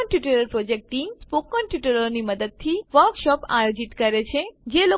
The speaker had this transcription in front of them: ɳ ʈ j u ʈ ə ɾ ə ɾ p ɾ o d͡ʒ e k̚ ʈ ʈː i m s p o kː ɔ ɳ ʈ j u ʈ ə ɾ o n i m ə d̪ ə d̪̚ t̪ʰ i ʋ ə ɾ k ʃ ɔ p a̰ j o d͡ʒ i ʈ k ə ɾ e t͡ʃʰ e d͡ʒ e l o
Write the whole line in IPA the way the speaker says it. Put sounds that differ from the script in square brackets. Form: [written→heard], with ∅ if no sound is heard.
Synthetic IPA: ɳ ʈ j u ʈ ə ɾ ə ɾ p ɾ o d͡ʒ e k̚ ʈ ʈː i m s p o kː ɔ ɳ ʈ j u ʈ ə ɾ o n i m ə d̪ ə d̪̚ t̪ʰ i ʋ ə ɾ k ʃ ɔ p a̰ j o d͡ʒ i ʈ k ə ɾ e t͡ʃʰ e d͡ʒ e l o